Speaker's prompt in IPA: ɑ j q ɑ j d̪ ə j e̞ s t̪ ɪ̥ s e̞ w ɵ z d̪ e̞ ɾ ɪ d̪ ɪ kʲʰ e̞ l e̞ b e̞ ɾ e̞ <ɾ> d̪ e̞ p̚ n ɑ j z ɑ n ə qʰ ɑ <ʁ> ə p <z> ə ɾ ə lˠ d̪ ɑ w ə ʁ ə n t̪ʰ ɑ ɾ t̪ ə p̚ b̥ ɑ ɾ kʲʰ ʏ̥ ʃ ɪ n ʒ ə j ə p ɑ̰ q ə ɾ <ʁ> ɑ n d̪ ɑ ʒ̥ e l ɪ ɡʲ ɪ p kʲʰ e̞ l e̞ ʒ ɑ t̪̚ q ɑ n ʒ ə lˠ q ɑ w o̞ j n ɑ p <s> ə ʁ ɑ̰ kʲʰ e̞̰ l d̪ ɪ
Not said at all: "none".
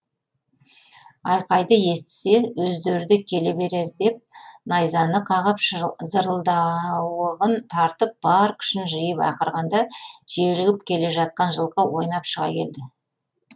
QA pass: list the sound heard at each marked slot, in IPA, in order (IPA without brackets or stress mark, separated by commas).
ɾ, ʁ, z, ʁ, ʃ